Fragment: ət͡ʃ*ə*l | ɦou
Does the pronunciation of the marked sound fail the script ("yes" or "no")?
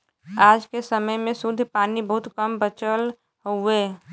no